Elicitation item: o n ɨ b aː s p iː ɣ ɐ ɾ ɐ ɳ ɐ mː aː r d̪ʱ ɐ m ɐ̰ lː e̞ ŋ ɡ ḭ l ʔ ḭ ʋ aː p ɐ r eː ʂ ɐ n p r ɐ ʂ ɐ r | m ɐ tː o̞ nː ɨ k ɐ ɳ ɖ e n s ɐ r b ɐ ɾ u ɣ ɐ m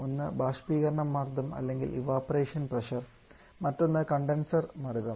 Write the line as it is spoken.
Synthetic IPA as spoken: o nː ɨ b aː ʂ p iː ɣ ɐ ɾ ɐ ɳ ɐ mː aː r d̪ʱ ɐ m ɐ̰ lː e̞ ŋ ɡ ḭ l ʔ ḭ ʋ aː p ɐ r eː ʂ ɐ n p r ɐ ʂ ɐ r | m ɐ tː o̞ nː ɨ k ɐ ɳ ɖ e n s ɐ r m ɐ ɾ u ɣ ɐ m